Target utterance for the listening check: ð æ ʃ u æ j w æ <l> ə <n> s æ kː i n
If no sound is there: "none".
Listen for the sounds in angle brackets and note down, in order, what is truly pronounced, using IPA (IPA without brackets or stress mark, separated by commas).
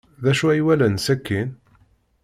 l, n